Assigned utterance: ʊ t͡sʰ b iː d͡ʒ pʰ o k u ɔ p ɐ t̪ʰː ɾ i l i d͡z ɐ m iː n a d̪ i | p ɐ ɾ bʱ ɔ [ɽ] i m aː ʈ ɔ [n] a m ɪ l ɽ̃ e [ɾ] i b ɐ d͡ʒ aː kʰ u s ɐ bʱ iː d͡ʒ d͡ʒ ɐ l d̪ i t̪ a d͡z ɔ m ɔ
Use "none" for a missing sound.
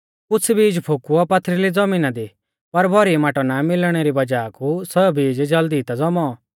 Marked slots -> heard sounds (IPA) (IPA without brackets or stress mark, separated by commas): ɾ, n, ɾ